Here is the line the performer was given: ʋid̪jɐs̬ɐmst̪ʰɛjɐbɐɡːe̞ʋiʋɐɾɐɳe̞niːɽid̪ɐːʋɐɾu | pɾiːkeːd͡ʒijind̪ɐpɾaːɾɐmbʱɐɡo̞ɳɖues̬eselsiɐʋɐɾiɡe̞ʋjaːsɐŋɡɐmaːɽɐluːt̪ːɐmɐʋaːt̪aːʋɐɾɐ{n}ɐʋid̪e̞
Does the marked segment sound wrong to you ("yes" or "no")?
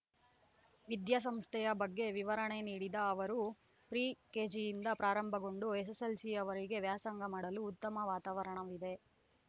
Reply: yes